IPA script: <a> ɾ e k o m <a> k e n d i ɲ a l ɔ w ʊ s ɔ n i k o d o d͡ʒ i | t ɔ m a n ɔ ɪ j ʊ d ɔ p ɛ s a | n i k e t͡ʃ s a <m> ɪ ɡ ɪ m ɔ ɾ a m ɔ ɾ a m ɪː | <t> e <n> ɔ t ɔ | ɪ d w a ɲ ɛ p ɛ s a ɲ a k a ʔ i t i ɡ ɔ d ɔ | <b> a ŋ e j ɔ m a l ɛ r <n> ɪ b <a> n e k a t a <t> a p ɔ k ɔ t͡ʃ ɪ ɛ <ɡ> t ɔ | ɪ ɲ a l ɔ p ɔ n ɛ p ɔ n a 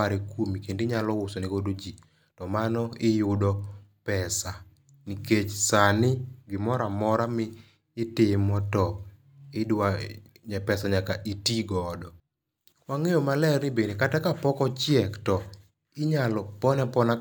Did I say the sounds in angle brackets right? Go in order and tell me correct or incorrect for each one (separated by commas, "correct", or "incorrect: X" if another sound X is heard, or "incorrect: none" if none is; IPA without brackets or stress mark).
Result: correct, incorrect: i, incorrect: n, correct, incorrect: m, incorrect: w, correct, incorrect: e, incorrect: k, incorrect: k